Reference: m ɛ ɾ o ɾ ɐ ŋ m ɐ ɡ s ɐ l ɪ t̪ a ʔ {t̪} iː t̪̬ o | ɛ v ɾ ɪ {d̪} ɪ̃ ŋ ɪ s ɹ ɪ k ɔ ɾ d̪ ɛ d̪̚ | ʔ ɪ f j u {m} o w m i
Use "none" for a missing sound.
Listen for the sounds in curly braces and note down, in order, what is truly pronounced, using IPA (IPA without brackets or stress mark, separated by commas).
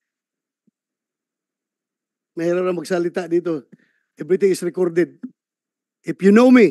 d̪, t̪, n